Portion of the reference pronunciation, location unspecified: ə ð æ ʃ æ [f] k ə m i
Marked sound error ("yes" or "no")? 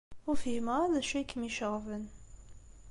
yes